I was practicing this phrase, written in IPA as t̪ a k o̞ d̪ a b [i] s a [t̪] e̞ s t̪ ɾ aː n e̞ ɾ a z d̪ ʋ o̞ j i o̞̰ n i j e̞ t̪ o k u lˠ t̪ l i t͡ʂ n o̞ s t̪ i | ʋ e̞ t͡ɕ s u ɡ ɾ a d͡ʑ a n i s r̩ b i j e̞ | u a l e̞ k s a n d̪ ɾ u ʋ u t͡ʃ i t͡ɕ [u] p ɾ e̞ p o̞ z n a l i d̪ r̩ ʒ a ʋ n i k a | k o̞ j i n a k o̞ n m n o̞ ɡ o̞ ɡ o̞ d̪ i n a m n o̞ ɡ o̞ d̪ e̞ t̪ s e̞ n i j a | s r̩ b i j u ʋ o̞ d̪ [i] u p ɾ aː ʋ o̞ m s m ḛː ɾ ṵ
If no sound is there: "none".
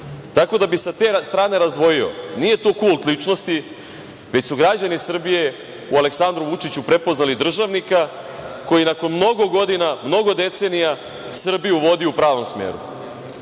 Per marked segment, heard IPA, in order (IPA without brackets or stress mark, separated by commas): i, t̪, u, i